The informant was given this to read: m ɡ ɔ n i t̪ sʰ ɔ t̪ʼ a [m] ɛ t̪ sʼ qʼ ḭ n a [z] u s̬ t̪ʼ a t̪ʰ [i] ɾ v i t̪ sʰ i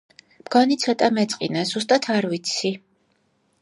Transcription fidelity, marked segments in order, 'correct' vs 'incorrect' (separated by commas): correct, correct, incorrect